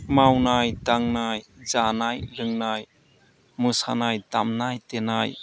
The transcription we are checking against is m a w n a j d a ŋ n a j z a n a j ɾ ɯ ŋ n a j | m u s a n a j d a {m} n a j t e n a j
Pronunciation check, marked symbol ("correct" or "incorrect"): correct